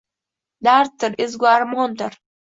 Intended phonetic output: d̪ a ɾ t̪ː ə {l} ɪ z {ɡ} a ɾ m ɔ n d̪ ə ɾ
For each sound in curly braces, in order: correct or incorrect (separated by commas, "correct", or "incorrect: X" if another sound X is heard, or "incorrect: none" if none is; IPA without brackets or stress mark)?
incorrect: ɾ, correct